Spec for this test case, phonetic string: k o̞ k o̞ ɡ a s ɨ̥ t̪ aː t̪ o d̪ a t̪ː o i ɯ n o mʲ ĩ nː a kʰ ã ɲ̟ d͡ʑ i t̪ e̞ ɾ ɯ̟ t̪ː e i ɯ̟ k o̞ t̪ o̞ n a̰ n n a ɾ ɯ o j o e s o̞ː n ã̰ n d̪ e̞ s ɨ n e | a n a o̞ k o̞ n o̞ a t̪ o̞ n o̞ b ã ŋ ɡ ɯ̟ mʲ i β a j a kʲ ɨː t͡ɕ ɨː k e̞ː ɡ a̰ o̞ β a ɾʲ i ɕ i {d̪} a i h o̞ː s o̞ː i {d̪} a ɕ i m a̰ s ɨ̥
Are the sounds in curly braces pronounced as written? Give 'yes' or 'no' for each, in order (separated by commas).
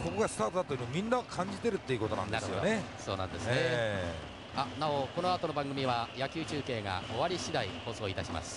yes, no